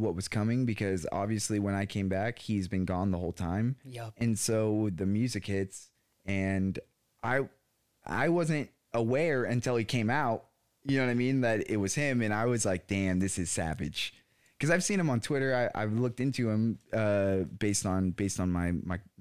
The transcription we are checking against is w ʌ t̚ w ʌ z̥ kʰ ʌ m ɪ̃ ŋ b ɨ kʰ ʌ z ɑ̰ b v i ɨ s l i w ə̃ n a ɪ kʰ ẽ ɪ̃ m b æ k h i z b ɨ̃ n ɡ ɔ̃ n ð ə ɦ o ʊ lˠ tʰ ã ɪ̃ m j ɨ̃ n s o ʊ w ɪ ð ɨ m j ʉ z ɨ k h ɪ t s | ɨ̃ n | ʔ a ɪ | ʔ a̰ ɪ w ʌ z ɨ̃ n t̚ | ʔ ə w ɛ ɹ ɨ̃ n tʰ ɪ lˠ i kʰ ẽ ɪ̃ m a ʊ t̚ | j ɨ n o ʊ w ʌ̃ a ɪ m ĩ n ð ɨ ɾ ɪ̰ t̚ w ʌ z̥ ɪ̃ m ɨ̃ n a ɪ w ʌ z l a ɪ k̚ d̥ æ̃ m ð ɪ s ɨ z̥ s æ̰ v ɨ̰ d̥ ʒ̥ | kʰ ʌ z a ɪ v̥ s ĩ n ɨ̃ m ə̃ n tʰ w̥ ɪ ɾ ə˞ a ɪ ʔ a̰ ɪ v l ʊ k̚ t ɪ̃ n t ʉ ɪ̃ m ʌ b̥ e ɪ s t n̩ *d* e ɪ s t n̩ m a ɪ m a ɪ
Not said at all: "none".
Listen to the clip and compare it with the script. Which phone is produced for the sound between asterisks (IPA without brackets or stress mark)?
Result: b